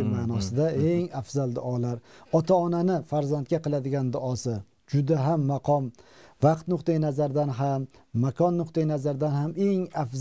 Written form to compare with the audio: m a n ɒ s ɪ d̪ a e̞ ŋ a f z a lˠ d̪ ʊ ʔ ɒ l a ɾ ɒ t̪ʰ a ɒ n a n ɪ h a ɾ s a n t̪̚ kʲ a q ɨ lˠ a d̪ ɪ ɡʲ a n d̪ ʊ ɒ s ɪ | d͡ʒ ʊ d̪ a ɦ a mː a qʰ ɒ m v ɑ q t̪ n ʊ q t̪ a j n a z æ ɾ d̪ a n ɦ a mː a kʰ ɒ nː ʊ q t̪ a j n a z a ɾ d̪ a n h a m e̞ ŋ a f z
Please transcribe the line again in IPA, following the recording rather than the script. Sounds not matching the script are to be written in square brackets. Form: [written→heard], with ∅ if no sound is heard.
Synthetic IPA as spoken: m a n ɒ s ɪ d̪ a e̞ ŋ a f z a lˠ d̪ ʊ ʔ ɒ l a ɾ ɒ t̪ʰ a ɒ n a n ɪ [h→f] a ɾ [s→z] a n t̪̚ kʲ a q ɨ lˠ a d̪ ɪ ɡʲ a n d̪ ʊ ɒ s ɪ | d͡ʒ ʊ d̪ a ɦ a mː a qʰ ɒ m v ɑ q t̪ n ʊ q t̪ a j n a z [æ→a] ɾ d̪ a n ɦ a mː a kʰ ɒ nː ʊ q t̪ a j n a z a ɾ d̪ a n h a m e̞ ŋ a f z